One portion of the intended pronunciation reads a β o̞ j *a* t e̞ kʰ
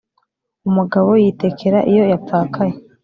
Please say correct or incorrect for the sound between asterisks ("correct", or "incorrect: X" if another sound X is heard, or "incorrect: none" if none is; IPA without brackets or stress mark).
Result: incorrect: i